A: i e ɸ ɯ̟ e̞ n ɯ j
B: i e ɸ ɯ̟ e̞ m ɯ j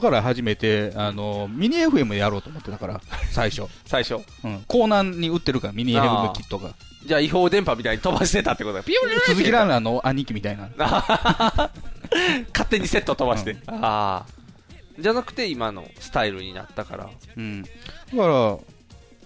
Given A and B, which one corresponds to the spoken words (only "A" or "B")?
B